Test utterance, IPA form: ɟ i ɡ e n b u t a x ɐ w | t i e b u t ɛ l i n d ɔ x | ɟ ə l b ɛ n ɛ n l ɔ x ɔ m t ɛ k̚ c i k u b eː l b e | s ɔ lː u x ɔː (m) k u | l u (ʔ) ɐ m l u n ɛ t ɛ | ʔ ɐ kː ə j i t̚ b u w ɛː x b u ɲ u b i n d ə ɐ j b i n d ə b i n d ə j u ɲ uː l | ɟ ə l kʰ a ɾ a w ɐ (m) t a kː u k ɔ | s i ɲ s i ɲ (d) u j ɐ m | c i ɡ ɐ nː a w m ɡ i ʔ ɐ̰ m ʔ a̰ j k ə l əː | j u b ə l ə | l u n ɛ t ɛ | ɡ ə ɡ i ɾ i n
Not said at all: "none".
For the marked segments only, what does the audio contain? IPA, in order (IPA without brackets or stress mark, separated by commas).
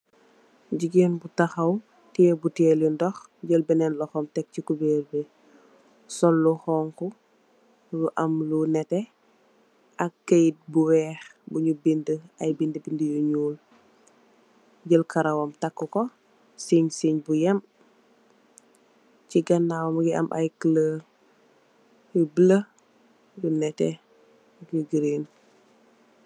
ŋ, ʔ, m, b